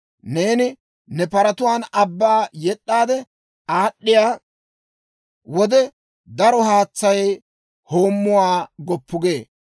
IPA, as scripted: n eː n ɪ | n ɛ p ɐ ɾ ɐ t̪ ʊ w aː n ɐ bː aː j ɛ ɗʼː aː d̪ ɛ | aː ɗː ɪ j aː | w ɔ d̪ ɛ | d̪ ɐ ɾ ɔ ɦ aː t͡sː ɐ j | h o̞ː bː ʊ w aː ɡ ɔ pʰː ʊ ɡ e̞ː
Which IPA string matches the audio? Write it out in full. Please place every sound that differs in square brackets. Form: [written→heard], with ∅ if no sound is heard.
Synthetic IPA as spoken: n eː n ɪ | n ɛ p ɐ ɾ ɐ t̪ ʊ w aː n ɐ bː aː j ɛ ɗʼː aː d̪ ɛ | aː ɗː ɪ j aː | w ɔ d̪ ɛ | d̪ ɐ ɾ ɔ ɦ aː t͡sː ɐ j | h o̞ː [bː→mː] ʊ w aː ɡ ɔ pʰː ʊ ɡ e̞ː